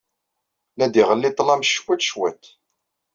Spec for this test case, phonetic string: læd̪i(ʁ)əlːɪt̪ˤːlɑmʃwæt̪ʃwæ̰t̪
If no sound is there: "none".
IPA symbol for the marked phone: ʁ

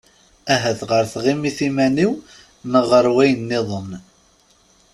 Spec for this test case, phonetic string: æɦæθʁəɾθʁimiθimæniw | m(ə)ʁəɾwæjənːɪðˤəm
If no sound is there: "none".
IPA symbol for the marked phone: ə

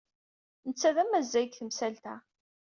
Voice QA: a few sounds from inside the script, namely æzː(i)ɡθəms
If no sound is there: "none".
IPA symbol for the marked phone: æ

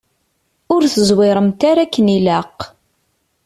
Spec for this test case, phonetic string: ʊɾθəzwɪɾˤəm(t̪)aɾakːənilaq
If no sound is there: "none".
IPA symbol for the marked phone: t̪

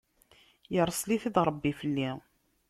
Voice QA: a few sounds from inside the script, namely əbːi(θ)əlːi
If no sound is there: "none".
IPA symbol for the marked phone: f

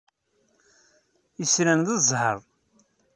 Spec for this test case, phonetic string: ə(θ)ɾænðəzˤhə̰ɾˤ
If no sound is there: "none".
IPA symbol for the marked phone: s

